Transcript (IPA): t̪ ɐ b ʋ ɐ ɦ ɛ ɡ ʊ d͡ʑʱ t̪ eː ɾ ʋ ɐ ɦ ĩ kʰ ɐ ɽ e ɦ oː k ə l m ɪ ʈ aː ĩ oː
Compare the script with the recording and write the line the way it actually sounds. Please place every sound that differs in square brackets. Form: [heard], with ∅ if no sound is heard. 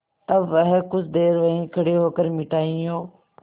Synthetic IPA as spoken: t̪ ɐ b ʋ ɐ ɦ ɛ [k] ʊ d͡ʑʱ [d̪] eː ɾ ʋ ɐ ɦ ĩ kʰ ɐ ɽ e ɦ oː k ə [ɾ] m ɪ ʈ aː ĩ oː